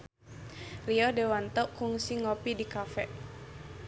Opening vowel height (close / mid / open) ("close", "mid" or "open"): close